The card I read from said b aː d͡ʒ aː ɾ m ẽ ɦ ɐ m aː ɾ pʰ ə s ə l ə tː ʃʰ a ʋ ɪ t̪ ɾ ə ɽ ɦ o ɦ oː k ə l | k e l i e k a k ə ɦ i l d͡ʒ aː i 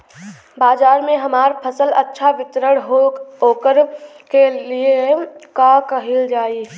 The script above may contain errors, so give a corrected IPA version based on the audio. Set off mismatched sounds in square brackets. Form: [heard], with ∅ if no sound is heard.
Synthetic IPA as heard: b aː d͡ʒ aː ɾ m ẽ ɦ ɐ m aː ɾ pʰ ə s ə l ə tː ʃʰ a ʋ ɪ t̪ ɾ ə ɽ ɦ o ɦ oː k ə [ɾ] | k e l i e k a k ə ɦ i l d͡ʒ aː i